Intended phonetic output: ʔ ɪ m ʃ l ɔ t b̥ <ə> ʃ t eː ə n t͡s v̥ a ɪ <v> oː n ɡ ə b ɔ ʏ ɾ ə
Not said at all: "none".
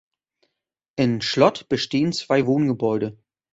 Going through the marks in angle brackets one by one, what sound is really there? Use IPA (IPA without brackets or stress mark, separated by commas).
ə, v